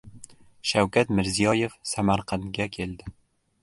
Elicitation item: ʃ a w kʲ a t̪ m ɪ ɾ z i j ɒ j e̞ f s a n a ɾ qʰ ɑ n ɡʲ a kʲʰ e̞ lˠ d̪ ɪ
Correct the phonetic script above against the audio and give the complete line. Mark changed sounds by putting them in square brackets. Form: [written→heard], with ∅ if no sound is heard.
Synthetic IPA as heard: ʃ a w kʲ a t̪ m ɪ ɾ z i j ɒ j e̞ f s a [n→m] a ɾ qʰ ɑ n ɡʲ a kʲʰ e̞ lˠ d̪ ɪ